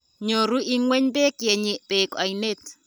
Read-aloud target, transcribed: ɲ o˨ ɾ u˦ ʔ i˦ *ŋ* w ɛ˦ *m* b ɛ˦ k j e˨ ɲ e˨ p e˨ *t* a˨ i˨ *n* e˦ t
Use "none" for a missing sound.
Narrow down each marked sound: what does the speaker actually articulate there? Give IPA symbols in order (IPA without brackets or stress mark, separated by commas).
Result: ŋ, ɲ, k, n